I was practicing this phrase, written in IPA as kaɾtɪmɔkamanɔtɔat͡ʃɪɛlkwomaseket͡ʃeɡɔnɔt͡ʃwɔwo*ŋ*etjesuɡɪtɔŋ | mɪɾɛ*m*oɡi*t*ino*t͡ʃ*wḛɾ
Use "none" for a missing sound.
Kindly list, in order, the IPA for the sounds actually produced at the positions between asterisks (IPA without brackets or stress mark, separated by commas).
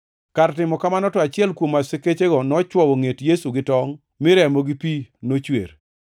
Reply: ŋ, m, p, t͡ʃ